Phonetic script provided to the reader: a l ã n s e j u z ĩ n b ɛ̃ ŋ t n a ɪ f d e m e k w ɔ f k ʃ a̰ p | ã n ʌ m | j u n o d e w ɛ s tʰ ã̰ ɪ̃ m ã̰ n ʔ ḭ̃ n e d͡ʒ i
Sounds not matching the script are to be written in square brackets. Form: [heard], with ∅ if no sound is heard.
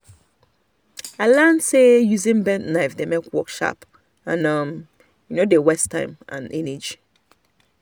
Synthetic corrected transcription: a l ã n s e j u z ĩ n b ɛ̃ [n] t n a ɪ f d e m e k w ɔ [∅] k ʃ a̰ p | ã n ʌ m | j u n o d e w ɛ s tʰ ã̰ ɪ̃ m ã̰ n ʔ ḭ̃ n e d͡ʒ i